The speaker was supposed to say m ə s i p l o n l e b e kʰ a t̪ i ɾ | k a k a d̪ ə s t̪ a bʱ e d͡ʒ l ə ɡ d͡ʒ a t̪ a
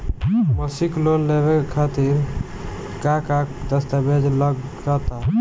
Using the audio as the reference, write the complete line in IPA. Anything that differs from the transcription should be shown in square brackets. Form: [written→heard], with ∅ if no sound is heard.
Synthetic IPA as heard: m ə s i [p→k] l o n l e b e kʰ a t̪ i ɾ | k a k a d̪ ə s t̪ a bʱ e d͡ʒ l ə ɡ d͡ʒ a t̪ a

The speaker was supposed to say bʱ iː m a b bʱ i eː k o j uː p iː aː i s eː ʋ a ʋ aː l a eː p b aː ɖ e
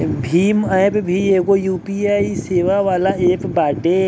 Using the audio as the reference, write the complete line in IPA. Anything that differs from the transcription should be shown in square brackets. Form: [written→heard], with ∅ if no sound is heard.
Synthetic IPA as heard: bʱ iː m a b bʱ i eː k o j uː p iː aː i s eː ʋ a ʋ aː l a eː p b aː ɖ e

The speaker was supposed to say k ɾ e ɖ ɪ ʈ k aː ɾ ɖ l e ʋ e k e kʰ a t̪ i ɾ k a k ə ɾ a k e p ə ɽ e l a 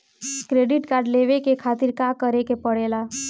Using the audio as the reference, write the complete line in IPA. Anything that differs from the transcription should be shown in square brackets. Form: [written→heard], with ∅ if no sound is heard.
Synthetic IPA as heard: k ɾ e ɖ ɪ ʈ k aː ɾ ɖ l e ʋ e k e kʰ a t̪ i ɾ k a k ə ɾ [a→e] k e p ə ɽ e l a

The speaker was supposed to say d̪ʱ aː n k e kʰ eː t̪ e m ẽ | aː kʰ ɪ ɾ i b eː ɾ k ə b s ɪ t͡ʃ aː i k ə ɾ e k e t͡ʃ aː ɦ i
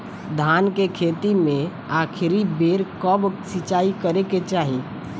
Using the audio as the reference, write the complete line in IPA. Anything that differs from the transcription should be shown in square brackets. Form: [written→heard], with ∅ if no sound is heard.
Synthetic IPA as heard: d̪ʱ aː n k e kʰ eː t̪ [e→i] m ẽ | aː kʰ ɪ ɾ i b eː ɾ k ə b s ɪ t͡ʃ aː i k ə ɾ e k e t͡ʃ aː ɦ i

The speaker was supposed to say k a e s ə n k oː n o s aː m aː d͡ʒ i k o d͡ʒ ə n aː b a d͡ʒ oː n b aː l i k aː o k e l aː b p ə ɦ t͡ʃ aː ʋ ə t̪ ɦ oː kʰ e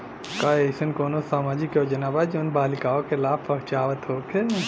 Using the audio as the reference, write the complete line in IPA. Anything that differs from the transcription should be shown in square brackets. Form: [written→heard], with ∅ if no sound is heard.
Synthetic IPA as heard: k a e s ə n k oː n o s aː m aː d͡ʒ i k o d͡ʒ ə n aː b a d͡ʒ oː n b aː l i k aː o k e l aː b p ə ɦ t͡ʃ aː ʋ ə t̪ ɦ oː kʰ e

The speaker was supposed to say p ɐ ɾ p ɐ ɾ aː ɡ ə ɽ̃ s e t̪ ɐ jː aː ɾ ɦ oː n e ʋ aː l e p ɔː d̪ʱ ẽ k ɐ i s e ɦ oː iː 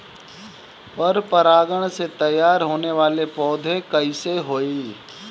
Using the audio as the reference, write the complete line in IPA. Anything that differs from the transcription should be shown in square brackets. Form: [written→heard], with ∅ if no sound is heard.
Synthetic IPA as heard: p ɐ ɾ p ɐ ɾ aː ɡ ə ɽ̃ s e t̪ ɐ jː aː ɾ ɦ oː n e ʋ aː l e p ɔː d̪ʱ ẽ k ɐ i s e ɦ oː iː

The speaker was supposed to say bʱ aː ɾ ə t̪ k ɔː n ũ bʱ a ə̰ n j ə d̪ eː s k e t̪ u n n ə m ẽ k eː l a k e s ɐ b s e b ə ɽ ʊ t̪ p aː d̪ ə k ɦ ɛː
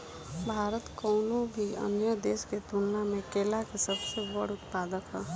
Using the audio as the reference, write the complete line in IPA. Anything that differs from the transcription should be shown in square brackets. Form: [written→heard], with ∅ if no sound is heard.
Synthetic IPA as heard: bʱ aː ɾ ə t̪ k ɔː n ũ bʱ [a→i] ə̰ n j ə d̪ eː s k e t̪ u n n [ə→a] m ẽ k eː l a k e s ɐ b s e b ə ɽ ʊ t̪ p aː d̪ ə k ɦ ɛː

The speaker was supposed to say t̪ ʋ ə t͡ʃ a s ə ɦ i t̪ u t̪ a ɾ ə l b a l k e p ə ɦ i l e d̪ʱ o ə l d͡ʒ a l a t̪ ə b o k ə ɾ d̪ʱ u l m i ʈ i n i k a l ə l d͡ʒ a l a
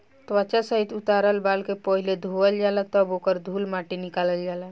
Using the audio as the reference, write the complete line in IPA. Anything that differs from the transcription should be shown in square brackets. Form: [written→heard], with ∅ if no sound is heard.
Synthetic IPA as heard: t̪ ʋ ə t͡ʃ a s ə ɦ i t̪ u t̪ a ɾ ə l b a l k e p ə ɦ i l e d̪ʱ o ə l d͡ʒ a l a t̪ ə b o k ə ɾ d̪ʱ u l m [i→a] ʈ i n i k a l ə l d͡ʒ a l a

